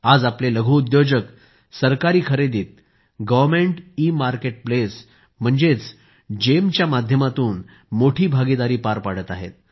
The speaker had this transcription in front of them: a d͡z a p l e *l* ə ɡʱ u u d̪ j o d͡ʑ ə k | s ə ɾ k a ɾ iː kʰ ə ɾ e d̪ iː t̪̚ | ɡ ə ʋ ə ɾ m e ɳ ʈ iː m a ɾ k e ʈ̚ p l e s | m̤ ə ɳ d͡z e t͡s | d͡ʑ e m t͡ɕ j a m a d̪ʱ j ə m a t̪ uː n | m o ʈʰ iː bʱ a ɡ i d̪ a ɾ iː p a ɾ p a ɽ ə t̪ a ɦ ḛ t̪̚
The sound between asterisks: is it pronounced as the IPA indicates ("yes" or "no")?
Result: yes